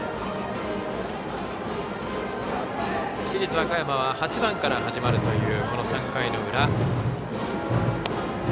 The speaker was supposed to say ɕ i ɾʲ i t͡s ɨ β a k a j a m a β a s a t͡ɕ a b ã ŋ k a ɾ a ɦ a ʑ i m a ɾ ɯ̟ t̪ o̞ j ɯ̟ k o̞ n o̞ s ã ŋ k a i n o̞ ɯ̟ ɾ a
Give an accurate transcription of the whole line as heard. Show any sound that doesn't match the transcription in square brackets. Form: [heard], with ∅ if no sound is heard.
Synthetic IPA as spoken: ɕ i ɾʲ i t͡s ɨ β a k a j a m a β a [h] a t͡ɕ [i] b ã ŋ k a ɾ a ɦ a ʑ i m a ɾ ɯ̟ t̪ o̞ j [ɯ̟ː] k o̞ n o̞ s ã ŋ k a i n o̞ ɯ̟ ɾ a